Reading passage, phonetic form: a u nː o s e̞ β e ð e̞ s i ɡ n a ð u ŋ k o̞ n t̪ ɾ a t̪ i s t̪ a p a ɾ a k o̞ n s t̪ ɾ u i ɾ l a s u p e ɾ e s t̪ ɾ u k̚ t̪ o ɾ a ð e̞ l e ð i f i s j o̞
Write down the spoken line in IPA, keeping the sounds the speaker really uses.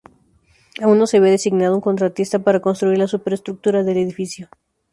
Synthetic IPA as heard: a u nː o s e̞ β e ð e̞ s i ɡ n a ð u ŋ k o̞ n t̪ ɾ a t̪ i s t̪ a p a ɾ a k o̞ n s t̪ ɾ u i ɾ l a s u p e ɾ e s t̪ ɾ u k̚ t̪ u ɾ a ð e̞ l e ð i f i s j o̞

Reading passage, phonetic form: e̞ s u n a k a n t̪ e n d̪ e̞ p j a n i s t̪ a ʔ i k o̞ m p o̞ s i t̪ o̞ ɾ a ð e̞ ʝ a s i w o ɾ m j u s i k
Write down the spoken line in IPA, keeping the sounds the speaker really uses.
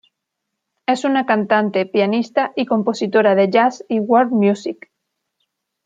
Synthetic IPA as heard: e̞ s u n a k a n t̪ a n t̪ e̞ p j a n i s t̪ a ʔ i k o̞ m p o̞ s i t̪ o̞ ɾ a ð e̞ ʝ a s i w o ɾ m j u s i k

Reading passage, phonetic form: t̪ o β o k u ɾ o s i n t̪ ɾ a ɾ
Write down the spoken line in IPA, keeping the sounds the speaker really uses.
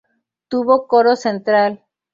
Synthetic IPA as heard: t̪ u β o k o ɾ o s e n t̪ ɾ a l

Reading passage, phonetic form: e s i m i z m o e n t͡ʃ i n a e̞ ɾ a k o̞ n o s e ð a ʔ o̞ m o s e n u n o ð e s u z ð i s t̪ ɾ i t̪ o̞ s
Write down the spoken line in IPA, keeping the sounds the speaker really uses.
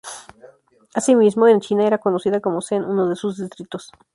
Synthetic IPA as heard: a s i m i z m o e n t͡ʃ i n a e̞ ɾ a k o̞ n o s i ð a k o̞ m o s e n u n o ð e s u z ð i s t̪ ɾ i t̪ o̞ s

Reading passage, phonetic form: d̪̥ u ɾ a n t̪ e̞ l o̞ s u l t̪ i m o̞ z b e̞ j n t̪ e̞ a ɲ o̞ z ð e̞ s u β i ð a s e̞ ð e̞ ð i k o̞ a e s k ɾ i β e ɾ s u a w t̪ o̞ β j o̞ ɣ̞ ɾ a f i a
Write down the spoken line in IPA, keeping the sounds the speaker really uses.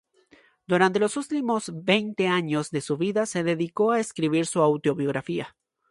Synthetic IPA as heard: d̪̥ u ɾ a n t̪ e̞ l o̞ s u l t̪ i m o̞ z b e̞ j n t̪ e̞ a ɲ o̞ z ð e̞ s u β i ð a s e̞ ð e̞ ð i k o̞ a e s k ɾ i β i ɾ s u a w t̪ o̞ β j o̞ ɣ̞ ɾ a f i a

